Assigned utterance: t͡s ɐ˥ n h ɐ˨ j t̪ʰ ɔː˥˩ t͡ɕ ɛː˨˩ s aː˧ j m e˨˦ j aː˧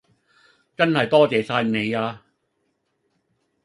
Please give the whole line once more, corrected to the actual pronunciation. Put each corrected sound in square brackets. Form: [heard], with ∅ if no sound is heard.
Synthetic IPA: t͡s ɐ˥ n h ɐ˨ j [t̪] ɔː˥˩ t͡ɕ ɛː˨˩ s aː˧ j [n] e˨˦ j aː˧